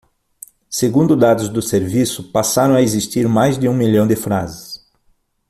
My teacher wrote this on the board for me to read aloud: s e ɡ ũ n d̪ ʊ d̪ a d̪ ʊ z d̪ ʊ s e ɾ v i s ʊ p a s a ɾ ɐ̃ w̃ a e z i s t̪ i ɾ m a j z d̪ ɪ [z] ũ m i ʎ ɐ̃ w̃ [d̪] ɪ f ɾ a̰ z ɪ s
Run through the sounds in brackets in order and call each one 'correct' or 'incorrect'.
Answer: incorrect, correct

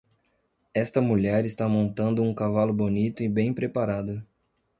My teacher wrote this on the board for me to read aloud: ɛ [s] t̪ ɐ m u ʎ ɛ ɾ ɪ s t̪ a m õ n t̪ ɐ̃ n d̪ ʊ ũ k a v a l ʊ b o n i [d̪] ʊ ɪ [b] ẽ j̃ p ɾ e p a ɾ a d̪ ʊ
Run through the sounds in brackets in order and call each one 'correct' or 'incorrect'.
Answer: correct, incorrect, correct

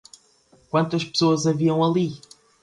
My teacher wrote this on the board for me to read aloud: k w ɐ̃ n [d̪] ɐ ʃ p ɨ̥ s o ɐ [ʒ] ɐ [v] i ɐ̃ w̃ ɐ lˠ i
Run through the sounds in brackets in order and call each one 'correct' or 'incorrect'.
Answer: incorrect, incorrect, correct

